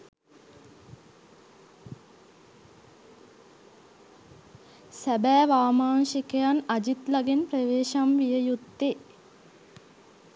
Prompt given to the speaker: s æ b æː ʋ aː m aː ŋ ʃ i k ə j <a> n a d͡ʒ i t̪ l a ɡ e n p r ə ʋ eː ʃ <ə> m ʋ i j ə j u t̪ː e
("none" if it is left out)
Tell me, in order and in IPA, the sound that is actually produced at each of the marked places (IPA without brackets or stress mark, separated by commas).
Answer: a, a